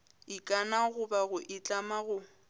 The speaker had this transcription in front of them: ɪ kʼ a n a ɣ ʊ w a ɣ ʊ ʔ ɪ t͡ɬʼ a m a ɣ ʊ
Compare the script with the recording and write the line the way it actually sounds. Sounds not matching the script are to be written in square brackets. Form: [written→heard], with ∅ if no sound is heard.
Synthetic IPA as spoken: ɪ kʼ a n a ɣ ʊ [w→b] a ɣ ʊ ʔ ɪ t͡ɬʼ a m a ɣ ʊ